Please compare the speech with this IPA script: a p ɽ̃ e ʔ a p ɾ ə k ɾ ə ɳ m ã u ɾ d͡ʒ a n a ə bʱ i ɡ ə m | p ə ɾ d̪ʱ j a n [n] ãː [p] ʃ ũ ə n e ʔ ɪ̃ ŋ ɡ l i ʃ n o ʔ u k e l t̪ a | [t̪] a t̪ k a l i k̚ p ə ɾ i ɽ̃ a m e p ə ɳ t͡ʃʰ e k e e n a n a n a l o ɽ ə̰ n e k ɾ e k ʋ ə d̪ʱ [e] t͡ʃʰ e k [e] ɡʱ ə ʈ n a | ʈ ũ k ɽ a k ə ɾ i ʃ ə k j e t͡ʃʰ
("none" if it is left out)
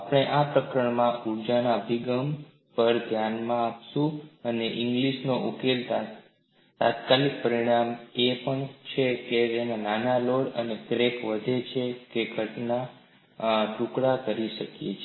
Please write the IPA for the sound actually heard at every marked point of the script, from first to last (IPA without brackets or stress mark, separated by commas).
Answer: m, p, t̪, e, e